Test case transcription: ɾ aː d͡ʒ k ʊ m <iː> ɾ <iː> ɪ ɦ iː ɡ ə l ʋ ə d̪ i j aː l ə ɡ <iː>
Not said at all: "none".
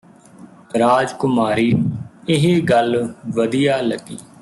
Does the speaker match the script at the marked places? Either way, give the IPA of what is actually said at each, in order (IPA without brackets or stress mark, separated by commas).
aː, iː, iː